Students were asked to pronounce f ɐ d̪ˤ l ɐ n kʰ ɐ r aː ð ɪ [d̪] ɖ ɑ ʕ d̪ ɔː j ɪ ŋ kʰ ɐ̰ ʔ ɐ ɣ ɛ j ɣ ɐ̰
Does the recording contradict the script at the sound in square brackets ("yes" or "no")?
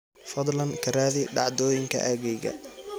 yes